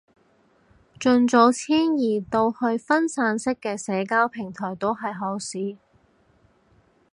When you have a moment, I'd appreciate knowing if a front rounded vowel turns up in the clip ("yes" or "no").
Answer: no